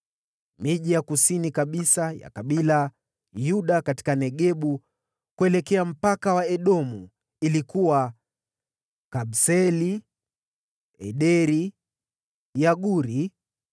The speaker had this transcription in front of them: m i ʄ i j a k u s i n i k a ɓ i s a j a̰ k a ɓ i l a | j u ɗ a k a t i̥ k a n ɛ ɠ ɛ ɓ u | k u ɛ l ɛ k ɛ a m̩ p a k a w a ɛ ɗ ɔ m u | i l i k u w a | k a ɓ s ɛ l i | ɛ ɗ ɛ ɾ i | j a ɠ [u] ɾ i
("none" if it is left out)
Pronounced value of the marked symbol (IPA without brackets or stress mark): u